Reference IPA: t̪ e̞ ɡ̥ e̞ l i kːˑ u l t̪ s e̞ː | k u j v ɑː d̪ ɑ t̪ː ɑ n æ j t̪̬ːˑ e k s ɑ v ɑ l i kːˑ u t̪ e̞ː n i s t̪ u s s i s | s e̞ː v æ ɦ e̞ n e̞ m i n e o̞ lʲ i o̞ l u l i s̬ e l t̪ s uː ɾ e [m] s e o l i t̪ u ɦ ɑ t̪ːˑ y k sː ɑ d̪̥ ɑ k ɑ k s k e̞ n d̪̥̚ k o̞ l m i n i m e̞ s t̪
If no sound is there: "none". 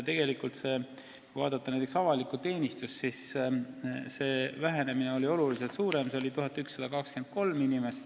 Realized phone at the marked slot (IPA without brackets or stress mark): m